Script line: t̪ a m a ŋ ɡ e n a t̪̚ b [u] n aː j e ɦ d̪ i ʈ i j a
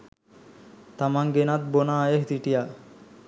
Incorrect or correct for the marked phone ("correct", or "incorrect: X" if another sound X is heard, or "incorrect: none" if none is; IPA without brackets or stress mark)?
incorrect: o